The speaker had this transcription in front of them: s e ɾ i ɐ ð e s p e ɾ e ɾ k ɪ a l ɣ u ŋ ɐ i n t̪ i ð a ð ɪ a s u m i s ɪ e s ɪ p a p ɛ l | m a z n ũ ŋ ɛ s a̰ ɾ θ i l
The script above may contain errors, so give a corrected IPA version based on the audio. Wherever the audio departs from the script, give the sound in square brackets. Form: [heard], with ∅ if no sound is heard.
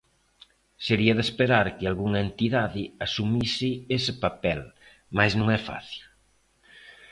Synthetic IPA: s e ɾ i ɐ ð e s p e ɾ [a] ɾ k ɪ a l ɣ u ŋ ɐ [e] n t̪ i ð a ð ɪ a s u m i s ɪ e s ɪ p a p ɛ l | m a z n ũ ŋ ɛ [f] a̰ [∅] θ i l